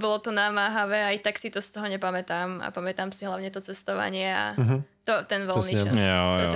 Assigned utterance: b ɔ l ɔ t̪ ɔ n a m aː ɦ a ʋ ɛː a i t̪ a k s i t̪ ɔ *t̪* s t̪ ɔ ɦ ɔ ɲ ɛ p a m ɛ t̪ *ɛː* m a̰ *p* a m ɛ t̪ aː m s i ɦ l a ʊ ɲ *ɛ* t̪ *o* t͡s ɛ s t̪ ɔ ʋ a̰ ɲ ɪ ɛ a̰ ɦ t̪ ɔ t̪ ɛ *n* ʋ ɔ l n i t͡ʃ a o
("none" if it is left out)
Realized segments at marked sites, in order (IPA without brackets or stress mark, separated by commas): none, aː, p, ɛ, ɔ, n